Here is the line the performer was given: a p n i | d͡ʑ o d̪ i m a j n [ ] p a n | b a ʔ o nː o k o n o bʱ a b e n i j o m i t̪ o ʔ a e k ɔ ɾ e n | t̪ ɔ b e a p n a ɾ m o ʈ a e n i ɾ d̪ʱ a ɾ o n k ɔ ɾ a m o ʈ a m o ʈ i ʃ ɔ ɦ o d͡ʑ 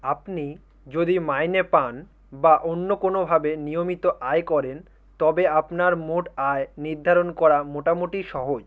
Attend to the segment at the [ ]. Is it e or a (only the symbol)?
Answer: e